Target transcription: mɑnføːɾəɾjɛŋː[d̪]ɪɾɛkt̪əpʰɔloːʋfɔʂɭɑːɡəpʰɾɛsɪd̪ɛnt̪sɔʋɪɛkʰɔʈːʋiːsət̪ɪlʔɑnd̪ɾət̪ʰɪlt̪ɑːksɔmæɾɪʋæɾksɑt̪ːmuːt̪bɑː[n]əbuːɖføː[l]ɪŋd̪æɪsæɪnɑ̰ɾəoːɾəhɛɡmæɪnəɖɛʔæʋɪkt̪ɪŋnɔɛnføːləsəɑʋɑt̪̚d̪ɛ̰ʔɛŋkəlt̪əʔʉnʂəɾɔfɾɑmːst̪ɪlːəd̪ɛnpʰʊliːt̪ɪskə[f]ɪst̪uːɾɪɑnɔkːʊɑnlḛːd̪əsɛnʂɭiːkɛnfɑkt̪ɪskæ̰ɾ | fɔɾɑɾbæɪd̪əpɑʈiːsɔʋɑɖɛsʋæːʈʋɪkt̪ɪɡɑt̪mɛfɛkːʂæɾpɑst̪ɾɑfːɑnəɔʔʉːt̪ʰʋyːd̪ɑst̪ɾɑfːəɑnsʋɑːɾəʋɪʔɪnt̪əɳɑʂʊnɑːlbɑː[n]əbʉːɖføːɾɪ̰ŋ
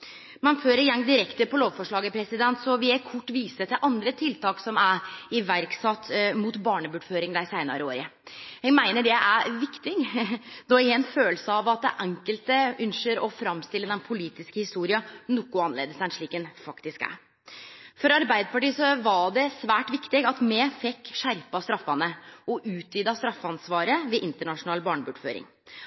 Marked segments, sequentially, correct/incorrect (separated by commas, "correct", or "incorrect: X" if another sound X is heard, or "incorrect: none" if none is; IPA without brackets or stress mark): correct, incorrect: ɳ, incorrect: ɾ, incorrect: h, incorrect: ɳ